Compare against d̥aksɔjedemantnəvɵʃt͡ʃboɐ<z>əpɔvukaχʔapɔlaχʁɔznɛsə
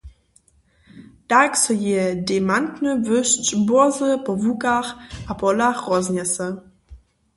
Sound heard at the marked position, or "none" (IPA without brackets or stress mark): z